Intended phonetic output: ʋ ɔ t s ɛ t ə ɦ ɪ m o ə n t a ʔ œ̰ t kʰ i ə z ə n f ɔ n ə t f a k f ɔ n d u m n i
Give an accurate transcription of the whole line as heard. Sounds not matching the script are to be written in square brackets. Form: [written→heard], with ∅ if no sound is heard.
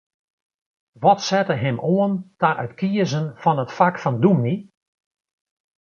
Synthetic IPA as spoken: ʋ ɔ t s ɛ t ə ɦ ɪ m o ə n t a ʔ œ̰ t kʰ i ə z ə n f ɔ n ə t f a k f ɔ n d u m n i